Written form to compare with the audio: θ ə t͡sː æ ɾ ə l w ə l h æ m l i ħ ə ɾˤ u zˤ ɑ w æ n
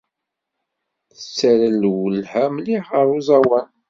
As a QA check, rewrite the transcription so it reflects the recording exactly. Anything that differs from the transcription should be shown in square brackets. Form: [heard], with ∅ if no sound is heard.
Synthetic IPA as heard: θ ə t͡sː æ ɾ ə l w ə l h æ m l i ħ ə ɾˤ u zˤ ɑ w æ n